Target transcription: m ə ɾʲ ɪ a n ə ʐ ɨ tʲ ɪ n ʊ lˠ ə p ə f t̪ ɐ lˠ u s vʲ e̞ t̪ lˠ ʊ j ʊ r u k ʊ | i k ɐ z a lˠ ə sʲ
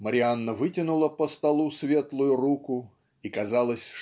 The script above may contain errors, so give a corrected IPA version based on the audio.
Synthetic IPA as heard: m ə ɾʲ ɪ a nː ə v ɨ tʲ ɪ n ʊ lˠ ə p ə s t̪ ɐ lˠ u s vʲ e̞ t̪ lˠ ʊ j ʊ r u k ʊ | i k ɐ z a lˠ ə sʲ